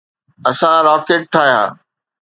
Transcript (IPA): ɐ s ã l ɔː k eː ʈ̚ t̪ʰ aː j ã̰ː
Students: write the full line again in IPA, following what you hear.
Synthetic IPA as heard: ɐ s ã ɾ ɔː k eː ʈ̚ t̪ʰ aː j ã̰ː